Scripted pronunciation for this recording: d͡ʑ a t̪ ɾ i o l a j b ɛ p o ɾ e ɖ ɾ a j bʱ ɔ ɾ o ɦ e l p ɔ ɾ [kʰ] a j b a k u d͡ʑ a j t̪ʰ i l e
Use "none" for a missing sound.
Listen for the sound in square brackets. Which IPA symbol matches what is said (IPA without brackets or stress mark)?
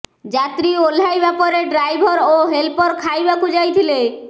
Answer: kʰ